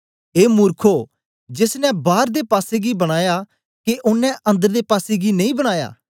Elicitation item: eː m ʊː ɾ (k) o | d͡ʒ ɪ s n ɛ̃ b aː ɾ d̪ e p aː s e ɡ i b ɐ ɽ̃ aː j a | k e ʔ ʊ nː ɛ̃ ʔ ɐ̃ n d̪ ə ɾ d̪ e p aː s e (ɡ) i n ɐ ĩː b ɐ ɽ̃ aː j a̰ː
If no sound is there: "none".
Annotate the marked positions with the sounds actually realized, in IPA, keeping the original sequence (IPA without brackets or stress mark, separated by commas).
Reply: kʰ, ɡ